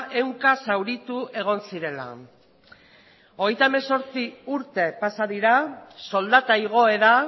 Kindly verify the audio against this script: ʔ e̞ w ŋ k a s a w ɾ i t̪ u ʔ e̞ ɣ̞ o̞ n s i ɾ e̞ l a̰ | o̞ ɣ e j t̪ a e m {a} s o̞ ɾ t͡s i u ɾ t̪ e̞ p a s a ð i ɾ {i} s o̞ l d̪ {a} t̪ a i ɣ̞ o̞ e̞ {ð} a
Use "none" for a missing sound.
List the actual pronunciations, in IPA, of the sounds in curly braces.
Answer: e, a, a, ð

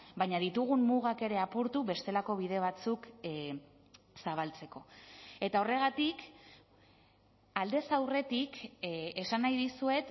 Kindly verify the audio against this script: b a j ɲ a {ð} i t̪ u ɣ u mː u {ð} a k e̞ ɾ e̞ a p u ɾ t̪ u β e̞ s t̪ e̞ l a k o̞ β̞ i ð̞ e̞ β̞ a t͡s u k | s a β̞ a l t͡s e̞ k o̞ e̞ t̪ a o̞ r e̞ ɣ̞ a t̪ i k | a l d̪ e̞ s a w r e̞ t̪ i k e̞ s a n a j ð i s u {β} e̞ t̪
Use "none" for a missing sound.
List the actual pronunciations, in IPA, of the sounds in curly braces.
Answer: ð, ɣ, none

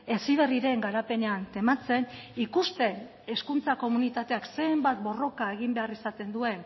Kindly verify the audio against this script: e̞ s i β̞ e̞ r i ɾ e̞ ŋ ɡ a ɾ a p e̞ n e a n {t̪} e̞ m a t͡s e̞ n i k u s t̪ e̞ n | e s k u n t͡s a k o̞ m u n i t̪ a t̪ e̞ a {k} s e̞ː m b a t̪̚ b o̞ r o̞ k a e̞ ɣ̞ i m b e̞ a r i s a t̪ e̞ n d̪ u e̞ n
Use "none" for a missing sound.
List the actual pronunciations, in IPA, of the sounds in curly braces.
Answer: t̪, k

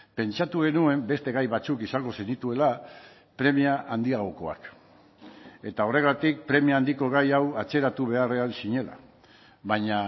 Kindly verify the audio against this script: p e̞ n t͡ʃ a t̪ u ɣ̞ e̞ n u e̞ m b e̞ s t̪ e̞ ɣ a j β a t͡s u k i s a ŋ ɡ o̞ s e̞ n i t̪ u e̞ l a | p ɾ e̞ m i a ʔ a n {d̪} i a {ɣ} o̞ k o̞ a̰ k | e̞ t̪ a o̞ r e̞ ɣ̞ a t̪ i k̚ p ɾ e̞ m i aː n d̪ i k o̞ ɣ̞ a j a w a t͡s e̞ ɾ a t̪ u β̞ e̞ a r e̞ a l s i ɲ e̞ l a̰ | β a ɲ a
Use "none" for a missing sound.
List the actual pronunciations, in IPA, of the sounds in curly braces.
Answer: d̪, ɣ

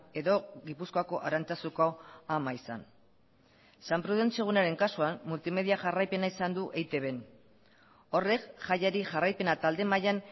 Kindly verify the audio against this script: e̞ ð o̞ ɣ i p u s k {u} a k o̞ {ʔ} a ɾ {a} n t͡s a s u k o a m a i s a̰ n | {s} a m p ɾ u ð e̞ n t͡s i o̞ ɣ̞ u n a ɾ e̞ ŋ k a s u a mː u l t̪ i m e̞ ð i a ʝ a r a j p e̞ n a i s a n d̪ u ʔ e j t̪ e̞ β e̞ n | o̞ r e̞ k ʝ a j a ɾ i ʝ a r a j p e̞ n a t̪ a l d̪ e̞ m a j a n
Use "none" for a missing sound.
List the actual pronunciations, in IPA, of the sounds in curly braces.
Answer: o, ʔ, a, s

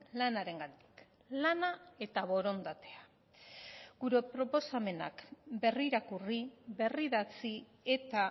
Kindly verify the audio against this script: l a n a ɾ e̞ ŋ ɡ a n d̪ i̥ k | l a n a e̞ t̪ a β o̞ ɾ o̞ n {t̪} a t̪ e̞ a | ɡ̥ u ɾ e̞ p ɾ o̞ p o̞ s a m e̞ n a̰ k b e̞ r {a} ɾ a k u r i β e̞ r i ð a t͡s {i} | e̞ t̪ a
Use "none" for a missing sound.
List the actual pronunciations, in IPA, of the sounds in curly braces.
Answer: d̪, i, i

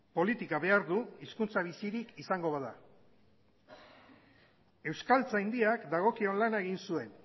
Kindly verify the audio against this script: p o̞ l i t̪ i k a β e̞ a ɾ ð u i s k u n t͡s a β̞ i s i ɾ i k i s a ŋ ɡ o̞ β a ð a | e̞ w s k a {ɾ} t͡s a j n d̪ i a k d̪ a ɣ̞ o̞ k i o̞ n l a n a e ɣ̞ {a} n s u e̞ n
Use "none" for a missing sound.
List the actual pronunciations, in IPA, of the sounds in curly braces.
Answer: l, i

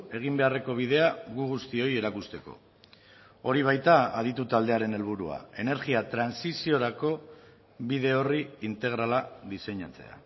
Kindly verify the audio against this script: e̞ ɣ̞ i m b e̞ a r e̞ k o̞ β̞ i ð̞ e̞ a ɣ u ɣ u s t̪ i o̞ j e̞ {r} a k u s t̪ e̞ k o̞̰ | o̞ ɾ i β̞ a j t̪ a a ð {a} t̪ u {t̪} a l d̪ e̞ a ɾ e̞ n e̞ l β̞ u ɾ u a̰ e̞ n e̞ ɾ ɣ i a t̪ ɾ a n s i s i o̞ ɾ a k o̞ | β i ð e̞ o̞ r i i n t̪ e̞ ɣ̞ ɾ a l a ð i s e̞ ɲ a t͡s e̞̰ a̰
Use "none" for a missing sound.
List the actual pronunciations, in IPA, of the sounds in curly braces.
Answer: ɾ, i, t̪

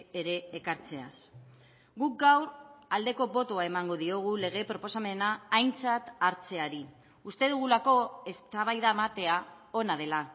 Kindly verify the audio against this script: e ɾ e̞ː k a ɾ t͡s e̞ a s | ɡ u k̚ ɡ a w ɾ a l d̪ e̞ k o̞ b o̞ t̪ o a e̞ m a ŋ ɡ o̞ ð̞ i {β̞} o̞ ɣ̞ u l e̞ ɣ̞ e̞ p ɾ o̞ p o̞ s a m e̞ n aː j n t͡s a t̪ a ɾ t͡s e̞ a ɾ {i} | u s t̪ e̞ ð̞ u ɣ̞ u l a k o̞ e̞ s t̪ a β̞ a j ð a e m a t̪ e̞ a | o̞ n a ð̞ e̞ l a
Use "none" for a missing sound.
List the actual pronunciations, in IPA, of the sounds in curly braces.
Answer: none, i

